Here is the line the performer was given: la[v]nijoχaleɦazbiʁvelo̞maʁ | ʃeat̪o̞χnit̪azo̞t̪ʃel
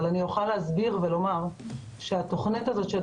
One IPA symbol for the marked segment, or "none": none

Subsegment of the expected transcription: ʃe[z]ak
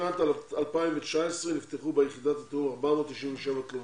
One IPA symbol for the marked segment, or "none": v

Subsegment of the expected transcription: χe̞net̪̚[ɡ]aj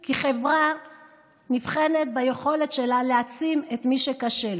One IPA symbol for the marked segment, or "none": b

